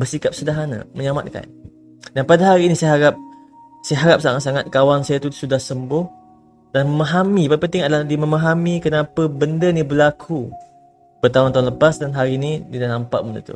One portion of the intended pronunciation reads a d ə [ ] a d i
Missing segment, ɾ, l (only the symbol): l